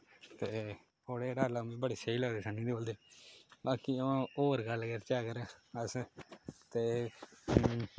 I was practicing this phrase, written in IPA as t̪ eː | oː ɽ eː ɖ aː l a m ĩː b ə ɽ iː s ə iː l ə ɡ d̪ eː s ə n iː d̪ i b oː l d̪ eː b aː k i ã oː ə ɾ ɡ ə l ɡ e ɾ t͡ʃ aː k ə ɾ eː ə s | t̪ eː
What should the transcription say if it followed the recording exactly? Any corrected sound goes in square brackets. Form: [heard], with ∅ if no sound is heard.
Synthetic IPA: t̪ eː | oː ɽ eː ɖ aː l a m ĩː b ə ɽ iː s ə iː l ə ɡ d̪ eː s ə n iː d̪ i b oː l d̪ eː b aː k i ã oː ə ɾ ɡ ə l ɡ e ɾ t͡ʃ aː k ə ɾ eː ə s | t̪ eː